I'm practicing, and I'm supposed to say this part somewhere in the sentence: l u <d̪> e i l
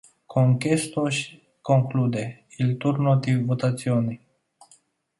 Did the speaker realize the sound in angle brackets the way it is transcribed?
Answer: yes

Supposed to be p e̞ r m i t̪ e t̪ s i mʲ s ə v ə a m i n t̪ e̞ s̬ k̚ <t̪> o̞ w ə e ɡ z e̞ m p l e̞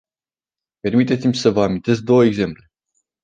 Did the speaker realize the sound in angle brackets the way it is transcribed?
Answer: no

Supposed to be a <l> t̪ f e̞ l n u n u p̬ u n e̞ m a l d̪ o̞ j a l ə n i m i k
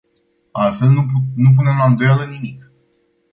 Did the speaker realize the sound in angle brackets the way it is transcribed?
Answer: yes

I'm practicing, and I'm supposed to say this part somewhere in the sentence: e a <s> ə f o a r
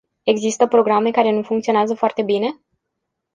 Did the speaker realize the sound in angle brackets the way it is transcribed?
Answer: no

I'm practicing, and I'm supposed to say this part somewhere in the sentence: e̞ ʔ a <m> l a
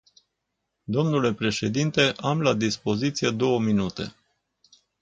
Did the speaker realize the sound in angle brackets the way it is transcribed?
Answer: yes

